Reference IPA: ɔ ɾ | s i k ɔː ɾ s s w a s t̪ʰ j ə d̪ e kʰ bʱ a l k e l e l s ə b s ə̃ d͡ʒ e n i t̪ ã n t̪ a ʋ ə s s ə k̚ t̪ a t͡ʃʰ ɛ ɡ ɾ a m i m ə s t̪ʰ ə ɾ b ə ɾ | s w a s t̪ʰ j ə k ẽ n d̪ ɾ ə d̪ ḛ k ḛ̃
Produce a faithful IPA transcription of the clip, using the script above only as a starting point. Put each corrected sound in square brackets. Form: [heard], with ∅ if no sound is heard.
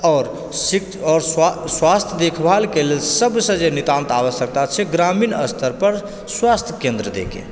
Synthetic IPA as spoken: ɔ ɾ | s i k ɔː ɾ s s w a s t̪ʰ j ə d̪ e kʰ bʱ a l k e l e l s ə b s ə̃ d͡ʒ e n i t̪ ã n t̪ a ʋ ə s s ə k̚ t̪ a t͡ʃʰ ɛ ɡ ɾ a m i [n] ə s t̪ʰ ə ɾ [p] ə ɾ | s w a s t̪ʰ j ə k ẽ n d̪ ɾ ə d̪ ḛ k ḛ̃